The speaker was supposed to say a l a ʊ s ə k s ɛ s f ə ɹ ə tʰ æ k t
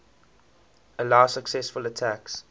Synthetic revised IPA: ə l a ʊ s ə k s ɛ s f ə l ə tʰ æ k s

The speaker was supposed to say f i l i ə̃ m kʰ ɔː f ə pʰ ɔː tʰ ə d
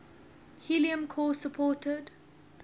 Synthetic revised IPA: h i l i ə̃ m kʰ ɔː s ə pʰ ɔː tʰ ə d

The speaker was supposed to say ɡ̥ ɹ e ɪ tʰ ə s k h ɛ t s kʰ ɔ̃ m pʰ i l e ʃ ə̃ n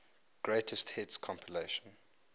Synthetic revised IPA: ɡ̥ ɹ e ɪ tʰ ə s t h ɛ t s kʰ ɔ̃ m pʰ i l e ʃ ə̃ n

